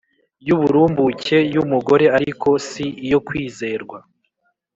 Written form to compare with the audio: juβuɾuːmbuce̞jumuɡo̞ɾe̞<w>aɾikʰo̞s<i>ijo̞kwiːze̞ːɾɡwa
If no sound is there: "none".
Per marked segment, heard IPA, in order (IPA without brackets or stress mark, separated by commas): none, i